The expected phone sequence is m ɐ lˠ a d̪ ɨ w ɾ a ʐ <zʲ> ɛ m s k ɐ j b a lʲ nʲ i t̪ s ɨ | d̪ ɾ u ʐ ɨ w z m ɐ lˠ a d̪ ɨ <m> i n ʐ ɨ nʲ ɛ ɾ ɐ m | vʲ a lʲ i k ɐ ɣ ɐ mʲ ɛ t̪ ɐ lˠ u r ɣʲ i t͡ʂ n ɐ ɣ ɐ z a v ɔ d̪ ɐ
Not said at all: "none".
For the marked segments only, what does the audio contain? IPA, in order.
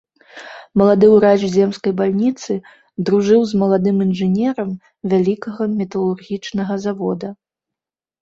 zʲ, m

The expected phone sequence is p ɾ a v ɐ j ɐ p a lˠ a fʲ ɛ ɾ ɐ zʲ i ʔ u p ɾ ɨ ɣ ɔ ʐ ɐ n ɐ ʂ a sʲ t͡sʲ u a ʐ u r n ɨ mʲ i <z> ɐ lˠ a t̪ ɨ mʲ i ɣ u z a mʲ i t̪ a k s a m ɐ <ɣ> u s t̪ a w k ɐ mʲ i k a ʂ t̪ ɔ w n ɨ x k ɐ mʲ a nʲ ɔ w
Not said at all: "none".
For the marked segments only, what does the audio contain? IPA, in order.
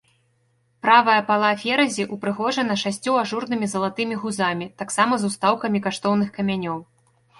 z, z

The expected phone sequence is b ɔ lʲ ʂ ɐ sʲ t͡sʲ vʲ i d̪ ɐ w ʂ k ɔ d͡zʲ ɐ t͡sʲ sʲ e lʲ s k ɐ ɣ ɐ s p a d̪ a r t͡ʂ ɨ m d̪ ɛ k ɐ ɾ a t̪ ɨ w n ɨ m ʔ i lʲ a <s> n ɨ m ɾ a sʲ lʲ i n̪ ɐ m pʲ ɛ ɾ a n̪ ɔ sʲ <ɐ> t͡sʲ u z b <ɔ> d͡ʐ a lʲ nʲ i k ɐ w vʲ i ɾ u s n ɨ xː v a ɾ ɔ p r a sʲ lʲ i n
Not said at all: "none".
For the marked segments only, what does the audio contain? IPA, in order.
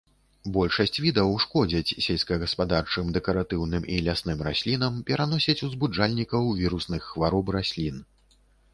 s, ɐ, u

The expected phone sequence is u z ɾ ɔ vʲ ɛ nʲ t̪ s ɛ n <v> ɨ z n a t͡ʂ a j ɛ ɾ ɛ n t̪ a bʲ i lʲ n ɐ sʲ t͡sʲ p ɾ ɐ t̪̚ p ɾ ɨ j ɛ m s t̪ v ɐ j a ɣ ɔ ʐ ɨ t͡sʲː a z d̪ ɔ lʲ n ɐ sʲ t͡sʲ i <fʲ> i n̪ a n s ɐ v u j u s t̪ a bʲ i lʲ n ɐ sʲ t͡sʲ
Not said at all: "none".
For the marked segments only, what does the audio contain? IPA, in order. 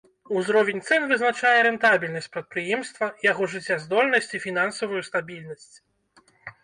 v, fʲ

